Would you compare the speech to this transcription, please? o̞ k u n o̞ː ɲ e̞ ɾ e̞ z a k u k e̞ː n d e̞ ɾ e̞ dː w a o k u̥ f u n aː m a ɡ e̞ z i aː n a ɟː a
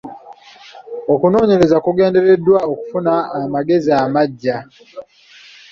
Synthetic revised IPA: o̞ k u n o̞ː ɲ e̞ ɾ e̞ z a k u ɡ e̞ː n d e̞ ɾ e̞ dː w a o k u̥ f u n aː m a ɡ e̞ z i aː m a ɟː a